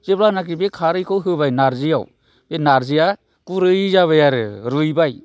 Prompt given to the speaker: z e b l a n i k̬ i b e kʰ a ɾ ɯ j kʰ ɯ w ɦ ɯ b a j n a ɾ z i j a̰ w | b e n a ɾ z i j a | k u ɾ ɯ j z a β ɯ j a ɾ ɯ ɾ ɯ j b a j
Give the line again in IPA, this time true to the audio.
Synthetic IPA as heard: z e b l a n a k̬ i b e kʰ a ɾ ɯ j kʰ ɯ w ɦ ɯ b a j n a ɾ z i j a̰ w | b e n a ɾ z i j a | k u ɾ ɯ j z a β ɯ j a ɾ ɯ ɾ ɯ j b a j